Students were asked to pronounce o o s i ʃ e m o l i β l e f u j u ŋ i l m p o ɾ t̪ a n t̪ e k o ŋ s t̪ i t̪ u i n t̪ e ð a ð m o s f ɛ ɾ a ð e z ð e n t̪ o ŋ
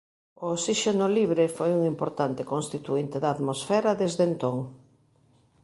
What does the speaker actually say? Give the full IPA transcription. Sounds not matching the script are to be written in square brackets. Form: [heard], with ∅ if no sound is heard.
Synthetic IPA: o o s i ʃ e [n] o l i β [ɾ] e f [o] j u ŋ i [∅] m p o ɾ t̪ a n t̪ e k o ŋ s t̪ i t̪ u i n t̪ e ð a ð m o s f ɛ ɾ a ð e z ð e n t̪ o ŋ

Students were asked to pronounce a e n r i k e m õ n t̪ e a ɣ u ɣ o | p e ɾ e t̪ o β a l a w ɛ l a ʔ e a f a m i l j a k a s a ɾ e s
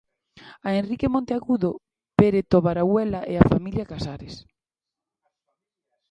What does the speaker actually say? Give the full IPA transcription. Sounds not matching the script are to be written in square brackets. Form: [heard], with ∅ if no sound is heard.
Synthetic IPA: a e n r i k e m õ n t̪ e a ɣ u [ð] o | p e ɾ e t̪ o β a [ɾ] a w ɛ l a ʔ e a f a m i l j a k a s a ɾ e s

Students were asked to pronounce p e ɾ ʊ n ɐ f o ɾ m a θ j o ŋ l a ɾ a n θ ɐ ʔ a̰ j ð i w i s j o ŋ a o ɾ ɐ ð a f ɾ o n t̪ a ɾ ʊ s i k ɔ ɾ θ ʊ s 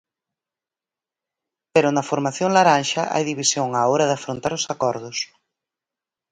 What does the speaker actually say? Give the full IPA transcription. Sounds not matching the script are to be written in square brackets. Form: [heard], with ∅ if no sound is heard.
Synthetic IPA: p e ɾ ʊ n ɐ f o ɾ m a θ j o ŋ l a ɾ a n [ʃ] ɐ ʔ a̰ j ð i [β] i s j o ŋ a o ɾ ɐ ð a f ɾ o n t̪ a ɾ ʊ s [a] k ɔ ɾ [ð] ʊ s

